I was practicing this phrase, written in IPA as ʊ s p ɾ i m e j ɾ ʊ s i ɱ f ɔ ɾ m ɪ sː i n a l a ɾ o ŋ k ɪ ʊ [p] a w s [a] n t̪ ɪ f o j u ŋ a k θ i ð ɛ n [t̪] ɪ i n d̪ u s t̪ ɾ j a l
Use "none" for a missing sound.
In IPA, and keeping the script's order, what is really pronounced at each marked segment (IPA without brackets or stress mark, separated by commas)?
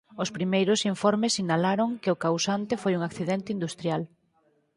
k, a, t̪